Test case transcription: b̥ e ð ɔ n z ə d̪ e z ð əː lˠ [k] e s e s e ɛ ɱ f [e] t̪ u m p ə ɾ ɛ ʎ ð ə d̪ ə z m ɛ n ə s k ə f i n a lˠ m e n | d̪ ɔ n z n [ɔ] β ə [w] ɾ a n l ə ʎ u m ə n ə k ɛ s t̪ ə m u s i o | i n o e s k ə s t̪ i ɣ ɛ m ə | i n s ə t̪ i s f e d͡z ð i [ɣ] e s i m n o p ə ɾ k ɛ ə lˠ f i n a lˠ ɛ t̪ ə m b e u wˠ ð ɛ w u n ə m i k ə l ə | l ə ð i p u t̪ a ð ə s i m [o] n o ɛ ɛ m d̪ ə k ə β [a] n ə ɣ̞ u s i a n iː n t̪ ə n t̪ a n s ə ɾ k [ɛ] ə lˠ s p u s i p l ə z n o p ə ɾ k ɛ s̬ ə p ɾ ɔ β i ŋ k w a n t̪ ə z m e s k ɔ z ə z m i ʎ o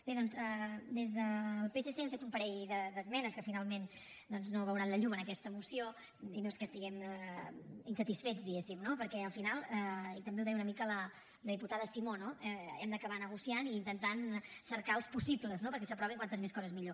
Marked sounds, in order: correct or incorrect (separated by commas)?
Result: incorrect, correct, incorrect, correct, correct, correct, correct, incorrect